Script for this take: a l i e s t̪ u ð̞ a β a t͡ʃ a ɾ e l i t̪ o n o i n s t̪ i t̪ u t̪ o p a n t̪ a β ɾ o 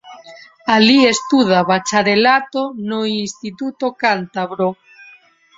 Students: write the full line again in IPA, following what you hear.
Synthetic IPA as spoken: a l i e s t̪ u ð̞ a β a t͡ʃ a ɾ e l a t̪ o n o i n s t̪ i t̪ u t̪ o k a n t̪ a β ɾ o